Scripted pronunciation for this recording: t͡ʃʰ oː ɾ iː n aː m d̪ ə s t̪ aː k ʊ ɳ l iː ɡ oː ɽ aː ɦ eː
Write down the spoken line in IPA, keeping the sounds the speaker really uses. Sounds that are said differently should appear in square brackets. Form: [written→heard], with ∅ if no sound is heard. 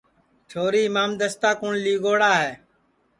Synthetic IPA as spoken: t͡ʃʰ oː ɾ iː [n→m] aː m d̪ ə s t̪ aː k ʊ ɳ l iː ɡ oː ɽ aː ɦ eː